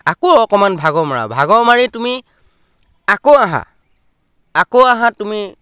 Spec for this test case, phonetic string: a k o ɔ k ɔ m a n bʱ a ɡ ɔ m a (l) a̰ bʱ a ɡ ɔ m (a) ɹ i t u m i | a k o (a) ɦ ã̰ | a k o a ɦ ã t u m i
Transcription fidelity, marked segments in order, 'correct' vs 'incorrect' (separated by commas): incorrect, correct, correct